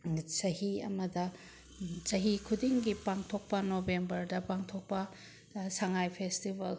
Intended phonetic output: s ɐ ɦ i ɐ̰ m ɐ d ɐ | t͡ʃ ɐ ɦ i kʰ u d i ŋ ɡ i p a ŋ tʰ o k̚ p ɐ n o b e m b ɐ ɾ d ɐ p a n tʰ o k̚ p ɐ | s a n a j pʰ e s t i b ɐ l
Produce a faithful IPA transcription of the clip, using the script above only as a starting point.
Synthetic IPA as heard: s ɐ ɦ i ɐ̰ m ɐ d ɐ | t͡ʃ ɐ ɦ i kʰ u d i ŋ ɡ i p a ŋ tʰ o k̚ p ɐ n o b e m b ɐ ɾ d ɐ p a ŋ tʰ o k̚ p ɐ | s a ŋ a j pʰ e s t i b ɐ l